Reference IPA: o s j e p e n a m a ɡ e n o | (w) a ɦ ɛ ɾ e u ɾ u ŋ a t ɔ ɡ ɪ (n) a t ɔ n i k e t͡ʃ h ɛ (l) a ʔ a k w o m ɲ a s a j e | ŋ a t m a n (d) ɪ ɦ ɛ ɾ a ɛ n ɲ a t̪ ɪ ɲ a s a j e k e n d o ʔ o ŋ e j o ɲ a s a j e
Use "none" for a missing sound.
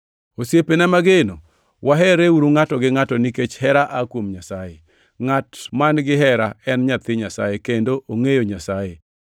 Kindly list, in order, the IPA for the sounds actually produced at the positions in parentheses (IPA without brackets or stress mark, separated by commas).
w, ŋ, ɾ, ɡ